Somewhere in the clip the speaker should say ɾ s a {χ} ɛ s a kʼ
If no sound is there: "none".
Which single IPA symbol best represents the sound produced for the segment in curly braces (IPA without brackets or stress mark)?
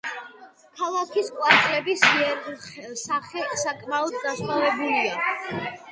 χ